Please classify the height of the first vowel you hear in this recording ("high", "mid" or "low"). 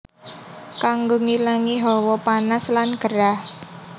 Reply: low